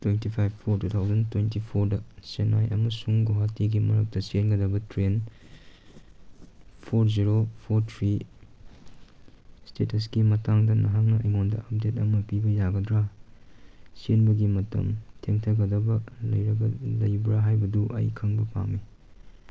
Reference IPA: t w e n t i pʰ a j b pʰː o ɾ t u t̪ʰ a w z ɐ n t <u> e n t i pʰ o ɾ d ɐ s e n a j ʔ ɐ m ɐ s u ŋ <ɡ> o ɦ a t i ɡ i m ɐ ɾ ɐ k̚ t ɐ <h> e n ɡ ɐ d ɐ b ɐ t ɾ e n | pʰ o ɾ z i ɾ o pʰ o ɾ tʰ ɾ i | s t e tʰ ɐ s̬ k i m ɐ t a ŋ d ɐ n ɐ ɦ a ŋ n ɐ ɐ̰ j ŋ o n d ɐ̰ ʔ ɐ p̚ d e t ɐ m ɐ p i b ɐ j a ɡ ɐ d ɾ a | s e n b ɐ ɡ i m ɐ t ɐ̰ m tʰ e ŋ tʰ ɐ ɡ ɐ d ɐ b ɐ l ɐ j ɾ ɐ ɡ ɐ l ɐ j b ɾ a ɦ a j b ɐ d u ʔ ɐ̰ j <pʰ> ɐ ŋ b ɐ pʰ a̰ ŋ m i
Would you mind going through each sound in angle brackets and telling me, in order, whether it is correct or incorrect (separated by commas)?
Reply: incorrect, correct, incorrect, incorrect